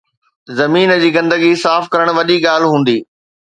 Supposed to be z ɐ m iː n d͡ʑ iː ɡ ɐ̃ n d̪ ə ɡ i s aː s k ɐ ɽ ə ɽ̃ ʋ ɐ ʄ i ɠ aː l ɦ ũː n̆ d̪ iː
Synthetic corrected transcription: z ɐ m iː n d͡ʑ iː ɡ ɐ̃ n d̪ ə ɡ i s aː f k ɐ ɾ ə ɽ̃ ʋ ɐ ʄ i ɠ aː l ɦ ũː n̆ d̪ iː